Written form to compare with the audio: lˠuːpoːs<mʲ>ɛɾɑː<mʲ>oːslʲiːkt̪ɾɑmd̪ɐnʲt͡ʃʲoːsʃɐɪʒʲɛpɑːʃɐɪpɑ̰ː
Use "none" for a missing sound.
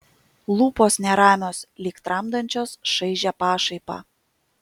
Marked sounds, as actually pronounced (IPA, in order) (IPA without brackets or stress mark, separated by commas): nʲ, mʲ